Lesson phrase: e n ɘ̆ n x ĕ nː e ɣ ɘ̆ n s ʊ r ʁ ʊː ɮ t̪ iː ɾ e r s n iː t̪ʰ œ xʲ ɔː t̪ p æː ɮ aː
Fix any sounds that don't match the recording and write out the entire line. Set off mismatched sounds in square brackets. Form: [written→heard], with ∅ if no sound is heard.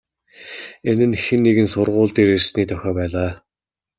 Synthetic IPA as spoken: e n ɘ̆ n x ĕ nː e ɣ ɘ̆ n s ʊ r ʁ ʊː ɮ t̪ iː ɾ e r s n iː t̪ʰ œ xʲ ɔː [t̪→∅] p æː ɮ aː